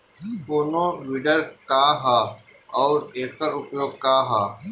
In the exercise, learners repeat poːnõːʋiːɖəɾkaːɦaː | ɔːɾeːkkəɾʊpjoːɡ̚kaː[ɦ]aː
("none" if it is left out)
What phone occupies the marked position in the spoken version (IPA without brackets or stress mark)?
ɦ